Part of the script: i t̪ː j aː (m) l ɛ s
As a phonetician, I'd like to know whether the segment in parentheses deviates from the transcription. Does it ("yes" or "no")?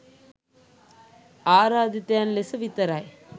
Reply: yes